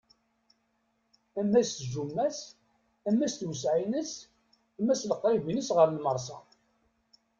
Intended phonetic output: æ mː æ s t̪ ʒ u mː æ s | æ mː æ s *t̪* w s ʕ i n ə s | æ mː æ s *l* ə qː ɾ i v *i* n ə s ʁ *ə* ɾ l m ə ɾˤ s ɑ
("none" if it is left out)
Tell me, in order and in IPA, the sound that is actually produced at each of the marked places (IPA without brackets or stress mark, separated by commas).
t̪, l, i, ə